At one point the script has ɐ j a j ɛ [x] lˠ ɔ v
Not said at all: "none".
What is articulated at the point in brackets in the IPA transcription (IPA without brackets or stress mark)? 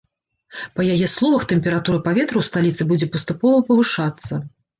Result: s